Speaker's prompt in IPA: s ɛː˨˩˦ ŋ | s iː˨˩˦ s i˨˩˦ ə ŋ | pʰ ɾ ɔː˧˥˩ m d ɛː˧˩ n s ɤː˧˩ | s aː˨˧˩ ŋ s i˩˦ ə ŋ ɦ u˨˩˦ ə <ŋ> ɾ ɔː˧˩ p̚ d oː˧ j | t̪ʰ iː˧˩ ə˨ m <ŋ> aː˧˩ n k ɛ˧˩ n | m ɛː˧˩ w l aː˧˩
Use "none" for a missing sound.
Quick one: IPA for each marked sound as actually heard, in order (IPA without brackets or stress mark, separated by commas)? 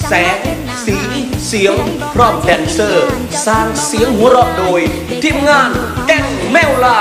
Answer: none, ŋ